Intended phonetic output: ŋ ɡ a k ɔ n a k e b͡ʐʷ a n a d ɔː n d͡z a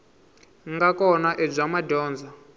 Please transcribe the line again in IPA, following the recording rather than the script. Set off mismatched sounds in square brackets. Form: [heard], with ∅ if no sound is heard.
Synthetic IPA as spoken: ŋ ɡ a k ɔ n a [ʔ] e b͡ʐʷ a [m] a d ɔː n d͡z a